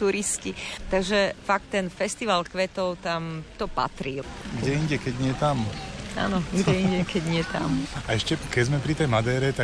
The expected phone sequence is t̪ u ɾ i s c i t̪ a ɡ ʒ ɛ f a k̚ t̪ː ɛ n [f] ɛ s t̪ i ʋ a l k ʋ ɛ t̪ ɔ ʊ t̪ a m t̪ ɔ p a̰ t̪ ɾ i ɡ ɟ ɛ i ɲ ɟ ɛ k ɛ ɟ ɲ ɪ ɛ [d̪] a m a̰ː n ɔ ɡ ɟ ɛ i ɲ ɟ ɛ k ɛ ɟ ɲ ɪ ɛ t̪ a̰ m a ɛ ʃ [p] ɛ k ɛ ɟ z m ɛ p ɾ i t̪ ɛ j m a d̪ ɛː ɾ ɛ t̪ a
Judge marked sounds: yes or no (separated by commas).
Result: yes, no, no